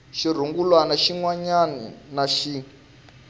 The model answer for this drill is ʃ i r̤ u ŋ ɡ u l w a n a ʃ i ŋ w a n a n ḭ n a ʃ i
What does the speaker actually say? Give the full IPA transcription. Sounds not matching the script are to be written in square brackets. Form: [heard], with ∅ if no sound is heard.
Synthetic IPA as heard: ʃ i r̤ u ŋ ɡ u l w a n a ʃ i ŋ w a [ɲ] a n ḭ n a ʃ i